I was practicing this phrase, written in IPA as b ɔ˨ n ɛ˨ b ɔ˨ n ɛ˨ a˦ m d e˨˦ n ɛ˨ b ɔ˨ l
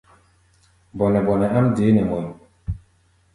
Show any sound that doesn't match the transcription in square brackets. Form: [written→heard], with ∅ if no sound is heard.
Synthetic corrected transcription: b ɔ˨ n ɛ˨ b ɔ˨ n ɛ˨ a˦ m d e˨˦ n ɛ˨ [b→m] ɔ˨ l